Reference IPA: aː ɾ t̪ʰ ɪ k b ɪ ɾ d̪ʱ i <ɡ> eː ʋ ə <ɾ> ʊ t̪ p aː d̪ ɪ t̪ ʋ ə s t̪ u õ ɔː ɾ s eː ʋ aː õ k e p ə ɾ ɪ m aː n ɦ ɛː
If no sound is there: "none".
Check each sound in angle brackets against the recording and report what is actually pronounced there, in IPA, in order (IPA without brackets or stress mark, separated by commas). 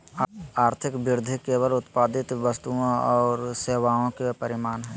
k, l